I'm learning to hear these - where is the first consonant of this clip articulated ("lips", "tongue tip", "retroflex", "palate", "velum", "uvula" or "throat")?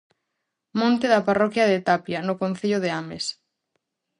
lips